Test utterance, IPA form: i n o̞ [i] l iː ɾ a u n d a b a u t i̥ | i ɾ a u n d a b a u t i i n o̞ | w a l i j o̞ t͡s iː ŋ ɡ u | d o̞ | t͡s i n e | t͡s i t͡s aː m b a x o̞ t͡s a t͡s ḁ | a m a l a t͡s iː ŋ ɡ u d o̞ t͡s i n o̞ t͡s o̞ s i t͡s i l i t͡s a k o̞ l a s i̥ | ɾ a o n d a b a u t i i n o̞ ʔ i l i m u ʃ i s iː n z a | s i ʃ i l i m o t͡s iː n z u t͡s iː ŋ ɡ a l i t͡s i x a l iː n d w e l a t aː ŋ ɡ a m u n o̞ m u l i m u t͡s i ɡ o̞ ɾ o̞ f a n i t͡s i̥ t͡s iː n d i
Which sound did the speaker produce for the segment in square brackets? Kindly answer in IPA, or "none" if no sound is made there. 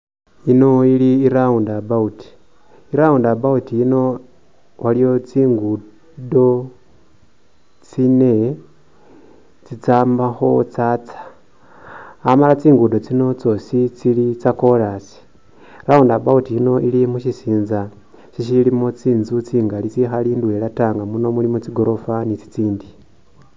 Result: i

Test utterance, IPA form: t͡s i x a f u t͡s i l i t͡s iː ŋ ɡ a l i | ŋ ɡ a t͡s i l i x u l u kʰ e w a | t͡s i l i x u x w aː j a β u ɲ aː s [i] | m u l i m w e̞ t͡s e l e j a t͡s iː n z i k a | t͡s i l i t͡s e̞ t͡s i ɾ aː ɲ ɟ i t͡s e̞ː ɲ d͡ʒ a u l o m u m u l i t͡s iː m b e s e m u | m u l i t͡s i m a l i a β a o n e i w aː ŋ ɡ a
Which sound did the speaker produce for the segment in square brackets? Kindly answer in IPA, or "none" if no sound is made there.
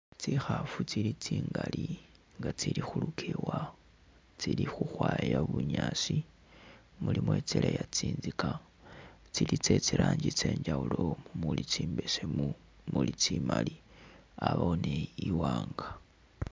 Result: i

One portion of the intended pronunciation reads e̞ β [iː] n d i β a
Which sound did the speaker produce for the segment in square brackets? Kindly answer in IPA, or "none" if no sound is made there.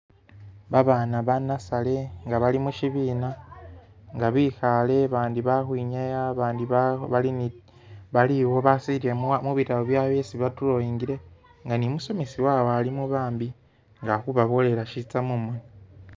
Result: aː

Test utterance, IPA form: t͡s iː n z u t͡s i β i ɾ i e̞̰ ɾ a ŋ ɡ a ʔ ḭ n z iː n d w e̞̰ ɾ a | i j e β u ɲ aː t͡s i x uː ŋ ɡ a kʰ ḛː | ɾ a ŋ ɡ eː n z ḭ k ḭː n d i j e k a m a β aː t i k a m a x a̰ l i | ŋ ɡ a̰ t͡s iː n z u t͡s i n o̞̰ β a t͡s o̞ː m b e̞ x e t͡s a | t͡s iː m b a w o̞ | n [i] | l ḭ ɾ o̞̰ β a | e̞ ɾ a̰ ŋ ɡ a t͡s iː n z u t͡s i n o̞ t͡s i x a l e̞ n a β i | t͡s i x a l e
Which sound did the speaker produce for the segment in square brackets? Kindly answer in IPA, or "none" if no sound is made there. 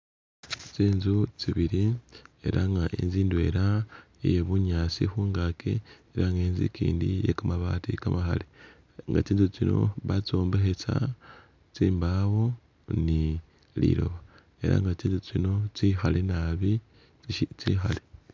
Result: i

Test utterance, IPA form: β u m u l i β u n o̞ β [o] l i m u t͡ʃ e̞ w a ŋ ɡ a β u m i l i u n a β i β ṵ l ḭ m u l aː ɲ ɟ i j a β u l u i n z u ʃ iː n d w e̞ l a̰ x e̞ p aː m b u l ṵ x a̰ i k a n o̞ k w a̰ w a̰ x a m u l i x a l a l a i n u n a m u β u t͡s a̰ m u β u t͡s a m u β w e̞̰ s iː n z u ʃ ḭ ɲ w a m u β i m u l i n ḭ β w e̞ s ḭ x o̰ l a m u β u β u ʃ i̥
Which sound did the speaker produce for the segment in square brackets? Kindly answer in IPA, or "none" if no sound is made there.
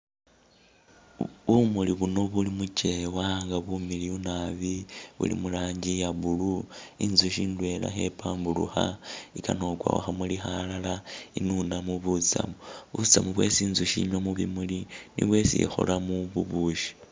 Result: u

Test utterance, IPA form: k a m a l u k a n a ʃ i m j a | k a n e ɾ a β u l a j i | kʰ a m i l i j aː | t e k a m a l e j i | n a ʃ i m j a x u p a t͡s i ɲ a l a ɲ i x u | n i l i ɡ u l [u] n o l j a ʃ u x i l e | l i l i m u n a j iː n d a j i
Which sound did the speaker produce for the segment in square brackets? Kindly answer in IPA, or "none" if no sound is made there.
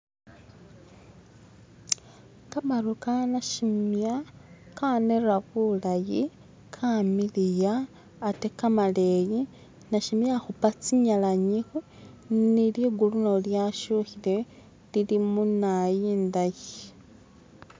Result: u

